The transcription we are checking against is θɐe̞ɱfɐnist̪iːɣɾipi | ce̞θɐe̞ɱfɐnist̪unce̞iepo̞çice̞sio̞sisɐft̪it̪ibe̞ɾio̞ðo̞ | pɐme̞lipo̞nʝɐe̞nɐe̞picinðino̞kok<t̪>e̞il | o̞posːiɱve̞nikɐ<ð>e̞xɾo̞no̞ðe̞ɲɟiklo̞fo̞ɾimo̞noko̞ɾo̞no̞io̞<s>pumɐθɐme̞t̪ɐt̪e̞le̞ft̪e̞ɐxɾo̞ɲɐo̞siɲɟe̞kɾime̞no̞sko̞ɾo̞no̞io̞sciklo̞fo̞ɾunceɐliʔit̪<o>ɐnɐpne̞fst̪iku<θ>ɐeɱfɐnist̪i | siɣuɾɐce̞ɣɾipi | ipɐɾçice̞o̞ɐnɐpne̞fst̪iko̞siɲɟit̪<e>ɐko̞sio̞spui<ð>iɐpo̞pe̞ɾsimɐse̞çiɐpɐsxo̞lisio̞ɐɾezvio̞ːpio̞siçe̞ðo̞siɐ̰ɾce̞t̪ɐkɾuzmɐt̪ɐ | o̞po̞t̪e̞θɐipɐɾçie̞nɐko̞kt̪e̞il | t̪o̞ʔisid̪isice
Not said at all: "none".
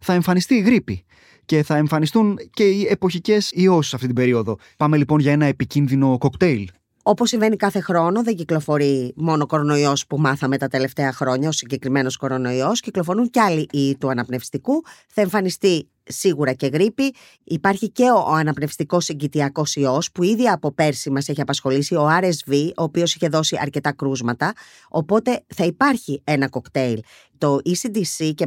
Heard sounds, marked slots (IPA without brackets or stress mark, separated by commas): t̪, θ, s, u, θ, i, ð